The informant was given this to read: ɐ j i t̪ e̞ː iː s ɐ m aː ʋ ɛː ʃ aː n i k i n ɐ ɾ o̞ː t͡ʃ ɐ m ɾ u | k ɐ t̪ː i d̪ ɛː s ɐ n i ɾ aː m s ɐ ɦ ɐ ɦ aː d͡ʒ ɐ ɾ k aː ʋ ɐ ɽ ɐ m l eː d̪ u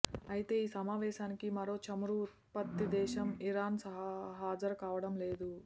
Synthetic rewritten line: ɐ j i t̪ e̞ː iː s ɐ m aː ʋ ɛː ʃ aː n i k i m ɐ ɾ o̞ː t͡ʃ ɐ m ɾ u | p ɐ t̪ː i d̪ ɛː ʃ ɐ m i ɾ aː n s ɐ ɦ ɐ ɦ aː d͡ʒ ɐ ɾ k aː ʋ ɐ ɽ ɐ m l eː d̪ u